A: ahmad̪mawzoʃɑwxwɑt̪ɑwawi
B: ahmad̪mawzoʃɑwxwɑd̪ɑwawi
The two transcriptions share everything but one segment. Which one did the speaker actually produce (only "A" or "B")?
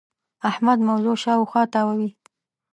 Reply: A